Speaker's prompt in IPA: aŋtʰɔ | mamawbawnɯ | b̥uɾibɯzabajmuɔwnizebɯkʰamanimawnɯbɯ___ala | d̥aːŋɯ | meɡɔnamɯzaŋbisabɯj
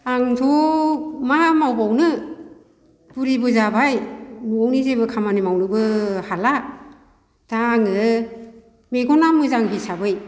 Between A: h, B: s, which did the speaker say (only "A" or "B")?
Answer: A